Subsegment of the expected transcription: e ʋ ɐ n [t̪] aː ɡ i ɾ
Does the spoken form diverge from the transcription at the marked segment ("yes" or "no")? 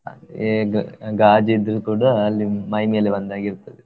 yes